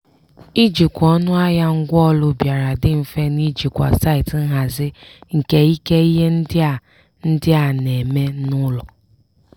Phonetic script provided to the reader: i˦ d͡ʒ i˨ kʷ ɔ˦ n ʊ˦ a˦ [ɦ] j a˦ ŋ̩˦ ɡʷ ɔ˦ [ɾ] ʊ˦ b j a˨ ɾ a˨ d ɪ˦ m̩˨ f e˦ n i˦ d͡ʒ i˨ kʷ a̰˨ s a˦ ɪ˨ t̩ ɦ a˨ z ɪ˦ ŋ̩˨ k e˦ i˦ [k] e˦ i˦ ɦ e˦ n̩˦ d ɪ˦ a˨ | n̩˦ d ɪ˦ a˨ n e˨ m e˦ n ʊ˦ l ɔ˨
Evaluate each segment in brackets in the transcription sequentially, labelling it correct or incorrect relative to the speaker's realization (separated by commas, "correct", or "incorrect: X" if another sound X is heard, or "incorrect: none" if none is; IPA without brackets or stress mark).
incorrect: none, incorrect: l, correct